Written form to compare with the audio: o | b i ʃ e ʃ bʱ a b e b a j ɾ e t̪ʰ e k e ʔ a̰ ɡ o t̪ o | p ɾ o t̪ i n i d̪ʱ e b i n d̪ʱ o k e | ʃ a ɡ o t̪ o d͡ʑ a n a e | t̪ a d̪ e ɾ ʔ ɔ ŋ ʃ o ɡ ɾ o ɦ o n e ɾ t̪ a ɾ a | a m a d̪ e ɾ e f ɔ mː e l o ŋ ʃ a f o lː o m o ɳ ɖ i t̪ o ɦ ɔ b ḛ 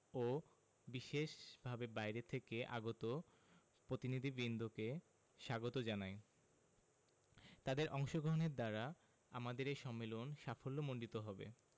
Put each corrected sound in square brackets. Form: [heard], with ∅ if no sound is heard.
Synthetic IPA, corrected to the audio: o | b i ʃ e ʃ bʱ a b e b a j ɾ e t̪ʰ e k e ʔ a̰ ɡ o t̪ o | p ɾ o t̪ i n i d̪ʱ [i] b i n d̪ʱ o k e | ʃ a ɡ o t̪ o d͡ʑ a n a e | t̪ a d̪ e ɾ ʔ ɔ ŋ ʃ o ɡ ɾ o ɦ o n e ɾ [d̪] a ɾ a | a m a d̪ e ɾ e [ʃ] ɔ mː e l o [n] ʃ a f o lː o m o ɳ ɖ i t̪ o ɦ ɔ b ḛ